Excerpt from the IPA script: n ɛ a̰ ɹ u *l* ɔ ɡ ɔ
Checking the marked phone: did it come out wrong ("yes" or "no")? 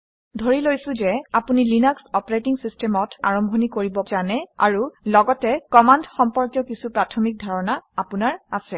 no